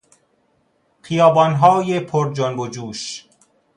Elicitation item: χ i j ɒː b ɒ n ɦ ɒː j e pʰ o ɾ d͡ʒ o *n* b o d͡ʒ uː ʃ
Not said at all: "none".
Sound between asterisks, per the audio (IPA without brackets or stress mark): n